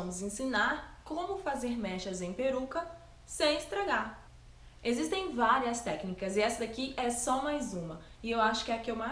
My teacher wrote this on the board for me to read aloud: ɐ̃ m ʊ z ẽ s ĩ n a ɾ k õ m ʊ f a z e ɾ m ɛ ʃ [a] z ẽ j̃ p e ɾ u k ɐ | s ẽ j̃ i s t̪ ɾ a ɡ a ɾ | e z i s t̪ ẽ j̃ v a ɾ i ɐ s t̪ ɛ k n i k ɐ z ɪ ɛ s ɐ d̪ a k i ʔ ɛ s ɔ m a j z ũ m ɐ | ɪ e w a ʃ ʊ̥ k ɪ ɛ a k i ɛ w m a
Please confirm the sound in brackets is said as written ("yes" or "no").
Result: no